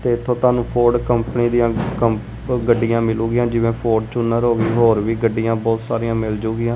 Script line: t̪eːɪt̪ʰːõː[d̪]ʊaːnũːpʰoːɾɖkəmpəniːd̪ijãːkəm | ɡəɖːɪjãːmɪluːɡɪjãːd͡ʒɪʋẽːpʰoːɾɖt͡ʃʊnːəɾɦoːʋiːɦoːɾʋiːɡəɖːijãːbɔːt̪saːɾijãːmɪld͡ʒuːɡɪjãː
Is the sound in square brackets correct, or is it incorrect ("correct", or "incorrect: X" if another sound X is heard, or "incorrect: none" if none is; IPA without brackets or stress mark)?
incorrect: t̪